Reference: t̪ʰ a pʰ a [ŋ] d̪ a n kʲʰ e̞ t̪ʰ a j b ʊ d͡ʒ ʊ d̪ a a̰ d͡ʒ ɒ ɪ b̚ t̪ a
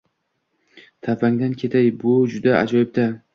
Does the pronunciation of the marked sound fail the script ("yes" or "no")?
no